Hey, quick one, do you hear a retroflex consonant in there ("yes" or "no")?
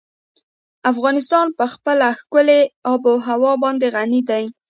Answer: no